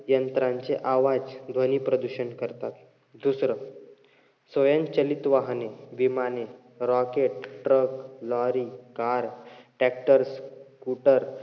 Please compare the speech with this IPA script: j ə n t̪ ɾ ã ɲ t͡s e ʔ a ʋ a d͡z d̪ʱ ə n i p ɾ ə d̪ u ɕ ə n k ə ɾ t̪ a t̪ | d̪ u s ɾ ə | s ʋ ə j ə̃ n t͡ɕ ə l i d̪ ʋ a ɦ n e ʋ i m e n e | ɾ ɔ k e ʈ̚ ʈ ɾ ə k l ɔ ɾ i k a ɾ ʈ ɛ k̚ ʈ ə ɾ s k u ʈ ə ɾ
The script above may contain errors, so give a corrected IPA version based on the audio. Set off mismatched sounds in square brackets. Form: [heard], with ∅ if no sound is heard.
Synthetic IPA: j ə n t̪ ɾ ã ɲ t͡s e ʔ a ʋ a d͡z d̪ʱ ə n i p ɾ ə d̪ u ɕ ə n k ə ɾ t̪ a t̪ | d̪ u s ɾ ə | s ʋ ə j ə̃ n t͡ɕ ə l i [t̪] ʋ a ɦ n e ʋ i m [a] n e | ɾ ɔ k e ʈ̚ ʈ ɾ ə k l ɔ ɾ i k a ɾ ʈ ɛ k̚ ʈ ə ɾ s k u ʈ ə ɾ